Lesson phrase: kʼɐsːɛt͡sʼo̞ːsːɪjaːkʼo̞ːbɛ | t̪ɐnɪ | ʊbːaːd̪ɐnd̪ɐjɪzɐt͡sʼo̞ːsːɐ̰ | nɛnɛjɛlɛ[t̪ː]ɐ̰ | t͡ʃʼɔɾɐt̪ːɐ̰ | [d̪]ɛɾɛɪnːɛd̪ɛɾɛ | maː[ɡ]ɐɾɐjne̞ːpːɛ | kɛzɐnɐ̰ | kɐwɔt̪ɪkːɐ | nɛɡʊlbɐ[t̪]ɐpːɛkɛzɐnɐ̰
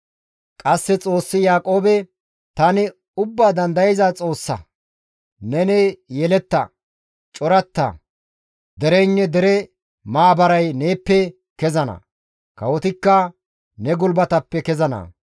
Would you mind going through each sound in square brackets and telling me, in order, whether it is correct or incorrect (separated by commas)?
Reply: correct, correct, incorrect, correct